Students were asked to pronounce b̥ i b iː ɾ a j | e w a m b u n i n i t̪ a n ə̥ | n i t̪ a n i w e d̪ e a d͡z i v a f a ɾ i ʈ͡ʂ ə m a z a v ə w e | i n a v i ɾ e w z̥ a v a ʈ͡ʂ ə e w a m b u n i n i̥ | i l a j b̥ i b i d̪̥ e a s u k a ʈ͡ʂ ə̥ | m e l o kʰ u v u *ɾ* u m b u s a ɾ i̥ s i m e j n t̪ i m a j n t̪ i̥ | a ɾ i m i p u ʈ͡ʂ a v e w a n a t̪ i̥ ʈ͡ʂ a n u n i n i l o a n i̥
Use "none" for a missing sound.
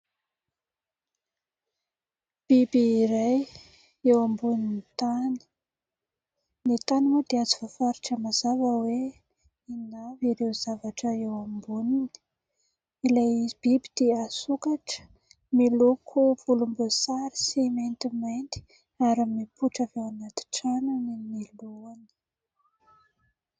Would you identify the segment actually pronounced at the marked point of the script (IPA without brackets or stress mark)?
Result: l